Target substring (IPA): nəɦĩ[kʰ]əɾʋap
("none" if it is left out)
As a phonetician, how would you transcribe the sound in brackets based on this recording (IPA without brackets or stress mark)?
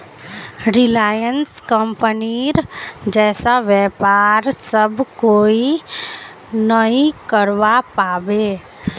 k